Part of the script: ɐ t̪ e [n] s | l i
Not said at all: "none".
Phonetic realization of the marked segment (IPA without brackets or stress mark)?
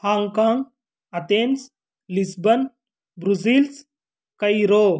n